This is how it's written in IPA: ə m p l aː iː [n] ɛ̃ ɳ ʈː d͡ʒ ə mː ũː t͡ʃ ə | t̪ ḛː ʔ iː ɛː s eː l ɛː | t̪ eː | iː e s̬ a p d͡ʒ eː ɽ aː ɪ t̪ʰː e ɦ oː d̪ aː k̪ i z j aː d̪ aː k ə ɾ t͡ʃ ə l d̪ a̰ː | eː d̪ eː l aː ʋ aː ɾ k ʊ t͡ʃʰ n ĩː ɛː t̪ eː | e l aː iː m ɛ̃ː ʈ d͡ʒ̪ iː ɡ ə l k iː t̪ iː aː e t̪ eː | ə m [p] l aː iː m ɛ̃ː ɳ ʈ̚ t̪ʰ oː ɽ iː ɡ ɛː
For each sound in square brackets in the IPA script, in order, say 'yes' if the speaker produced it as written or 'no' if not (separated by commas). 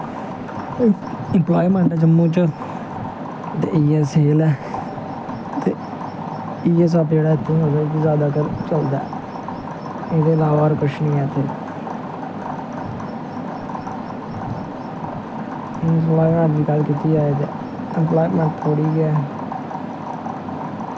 no, yes